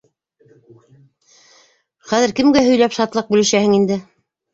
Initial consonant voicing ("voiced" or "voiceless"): voiceless